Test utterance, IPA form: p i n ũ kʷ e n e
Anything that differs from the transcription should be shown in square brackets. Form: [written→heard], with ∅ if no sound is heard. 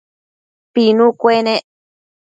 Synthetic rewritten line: p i n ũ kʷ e n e